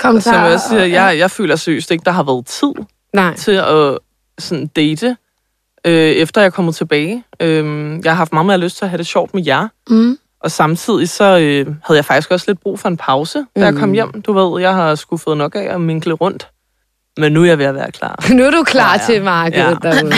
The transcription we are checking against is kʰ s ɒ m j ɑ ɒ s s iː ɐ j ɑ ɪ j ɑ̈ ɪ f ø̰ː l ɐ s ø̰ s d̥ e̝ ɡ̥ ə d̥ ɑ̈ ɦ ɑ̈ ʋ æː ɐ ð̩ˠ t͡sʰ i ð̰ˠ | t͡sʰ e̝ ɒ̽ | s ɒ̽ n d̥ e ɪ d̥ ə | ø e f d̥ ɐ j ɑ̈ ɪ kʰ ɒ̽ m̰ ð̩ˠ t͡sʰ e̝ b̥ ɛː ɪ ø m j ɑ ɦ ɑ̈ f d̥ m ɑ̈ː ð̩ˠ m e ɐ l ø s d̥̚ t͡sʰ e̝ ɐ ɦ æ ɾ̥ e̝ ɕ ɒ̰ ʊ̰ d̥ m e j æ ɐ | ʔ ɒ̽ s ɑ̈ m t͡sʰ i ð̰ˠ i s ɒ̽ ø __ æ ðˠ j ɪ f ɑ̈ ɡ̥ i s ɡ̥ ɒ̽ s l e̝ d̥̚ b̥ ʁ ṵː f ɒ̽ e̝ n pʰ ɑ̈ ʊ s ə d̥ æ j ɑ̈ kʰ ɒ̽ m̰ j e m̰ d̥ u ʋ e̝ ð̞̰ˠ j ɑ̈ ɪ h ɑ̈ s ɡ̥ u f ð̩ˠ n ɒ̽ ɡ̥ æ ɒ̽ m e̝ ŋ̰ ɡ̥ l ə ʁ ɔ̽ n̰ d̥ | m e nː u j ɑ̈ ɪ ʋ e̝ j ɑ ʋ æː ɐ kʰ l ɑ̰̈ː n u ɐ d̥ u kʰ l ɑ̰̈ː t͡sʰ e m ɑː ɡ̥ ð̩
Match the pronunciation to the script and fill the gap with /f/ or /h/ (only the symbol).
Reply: h